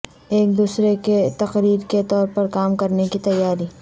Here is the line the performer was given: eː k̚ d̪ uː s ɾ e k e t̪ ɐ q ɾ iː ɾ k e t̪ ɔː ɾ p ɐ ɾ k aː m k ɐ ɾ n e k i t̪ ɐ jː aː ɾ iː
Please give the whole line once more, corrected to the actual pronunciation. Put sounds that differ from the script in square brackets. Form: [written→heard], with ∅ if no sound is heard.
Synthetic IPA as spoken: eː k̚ d̪ uː s ɾ e k e t̪ ɐ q ɾ iː ɾ k e t̪ ɔː ɾ p ɐ ɾ k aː m k ɐ ɾ n e k i t̪ ɐ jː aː ɾ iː